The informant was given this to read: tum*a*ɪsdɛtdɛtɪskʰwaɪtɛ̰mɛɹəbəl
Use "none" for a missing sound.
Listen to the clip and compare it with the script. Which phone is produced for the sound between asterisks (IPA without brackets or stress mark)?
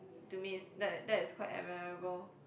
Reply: i